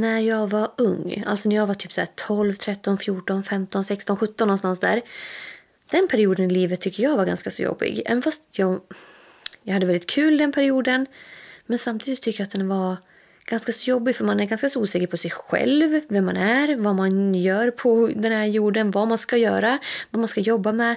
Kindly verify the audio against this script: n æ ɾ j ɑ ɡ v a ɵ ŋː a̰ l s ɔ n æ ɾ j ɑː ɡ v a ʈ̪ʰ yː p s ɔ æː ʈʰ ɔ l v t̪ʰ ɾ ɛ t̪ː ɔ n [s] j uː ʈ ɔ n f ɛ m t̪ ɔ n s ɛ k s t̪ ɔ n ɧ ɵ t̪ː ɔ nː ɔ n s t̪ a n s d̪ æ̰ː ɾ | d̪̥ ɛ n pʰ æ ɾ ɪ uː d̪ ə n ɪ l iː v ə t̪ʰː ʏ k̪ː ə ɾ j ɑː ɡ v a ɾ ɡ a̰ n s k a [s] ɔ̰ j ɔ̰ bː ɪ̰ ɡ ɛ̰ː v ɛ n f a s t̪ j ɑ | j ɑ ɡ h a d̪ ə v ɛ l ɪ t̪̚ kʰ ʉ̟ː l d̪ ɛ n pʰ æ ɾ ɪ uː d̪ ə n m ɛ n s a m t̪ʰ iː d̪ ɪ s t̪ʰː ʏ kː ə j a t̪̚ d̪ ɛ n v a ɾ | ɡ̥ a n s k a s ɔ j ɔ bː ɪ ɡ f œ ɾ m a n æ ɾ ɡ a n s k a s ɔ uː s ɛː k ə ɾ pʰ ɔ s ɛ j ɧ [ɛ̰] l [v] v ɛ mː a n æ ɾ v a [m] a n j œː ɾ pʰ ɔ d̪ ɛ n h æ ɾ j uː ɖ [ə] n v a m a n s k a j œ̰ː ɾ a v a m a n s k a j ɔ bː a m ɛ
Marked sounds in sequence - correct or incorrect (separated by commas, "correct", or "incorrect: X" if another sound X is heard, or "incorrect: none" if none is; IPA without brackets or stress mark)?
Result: incorrect: f, correct, correct, correct, correct, correct